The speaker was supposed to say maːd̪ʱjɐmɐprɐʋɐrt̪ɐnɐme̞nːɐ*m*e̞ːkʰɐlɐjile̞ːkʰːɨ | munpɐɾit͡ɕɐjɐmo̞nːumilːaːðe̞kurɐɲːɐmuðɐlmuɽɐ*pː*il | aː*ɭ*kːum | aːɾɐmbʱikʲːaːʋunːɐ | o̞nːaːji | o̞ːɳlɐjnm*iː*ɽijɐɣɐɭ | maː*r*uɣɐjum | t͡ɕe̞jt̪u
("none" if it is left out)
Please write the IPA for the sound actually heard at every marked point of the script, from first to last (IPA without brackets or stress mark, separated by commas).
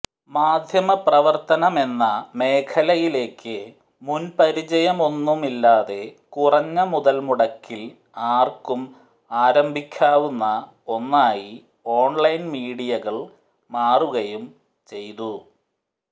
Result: m, kː, r, iː, r